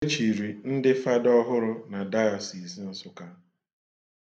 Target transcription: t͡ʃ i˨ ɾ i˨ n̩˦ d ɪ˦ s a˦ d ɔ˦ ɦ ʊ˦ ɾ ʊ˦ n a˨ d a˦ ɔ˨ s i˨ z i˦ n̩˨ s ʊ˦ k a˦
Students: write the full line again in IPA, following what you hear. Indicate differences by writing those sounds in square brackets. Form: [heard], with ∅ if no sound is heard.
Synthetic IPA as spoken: t͡ʃ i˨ ɾ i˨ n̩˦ d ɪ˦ [f] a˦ d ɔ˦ ɦ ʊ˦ ɾ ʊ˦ n a˨ d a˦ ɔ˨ s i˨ z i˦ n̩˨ s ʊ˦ k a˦